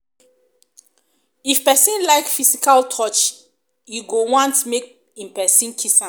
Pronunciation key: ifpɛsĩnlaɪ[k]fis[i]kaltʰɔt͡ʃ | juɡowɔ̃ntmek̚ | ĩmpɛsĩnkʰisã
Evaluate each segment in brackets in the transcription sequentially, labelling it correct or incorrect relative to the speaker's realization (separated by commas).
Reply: correct, correct